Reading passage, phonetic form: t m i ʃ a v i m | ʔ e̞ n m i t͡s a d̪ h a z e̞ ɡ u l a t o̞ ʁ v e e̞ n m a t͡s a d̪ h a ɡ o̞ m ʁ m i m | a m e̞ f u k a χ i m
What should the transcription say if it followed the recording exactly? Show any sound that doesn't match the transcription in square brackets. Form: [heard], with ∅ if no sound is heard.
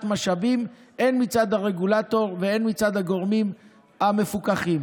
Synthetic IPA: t m [a] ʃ a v i m | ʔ e̞ n m i t͡s a d̪ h a [ʁ] e̞ ɡ u l a t o̞ ʁ v e e̞ n m [i] t͡s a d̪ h a ɡ o̞ [∅] ʁ m i m | a m e̞ f u k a χ i m